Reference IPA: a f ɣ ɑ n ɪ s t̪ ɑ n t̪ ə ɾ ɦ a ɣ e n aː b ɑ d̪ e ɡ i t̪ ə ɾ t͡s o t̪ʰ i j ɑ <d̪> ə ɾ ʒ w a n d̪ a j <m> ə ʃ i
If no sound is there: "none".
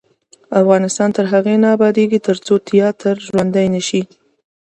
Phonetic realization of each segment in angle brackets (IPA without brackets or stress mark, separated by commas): t̪, n